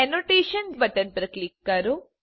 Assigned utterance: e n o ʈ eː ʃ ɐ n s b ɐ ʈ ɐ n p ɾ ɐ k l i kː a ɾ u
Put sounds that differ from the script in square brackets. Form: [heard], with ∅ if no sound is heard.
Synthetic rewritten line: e n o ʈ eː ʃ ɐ n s b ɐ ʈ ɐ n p ɾ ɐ k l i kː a ɾ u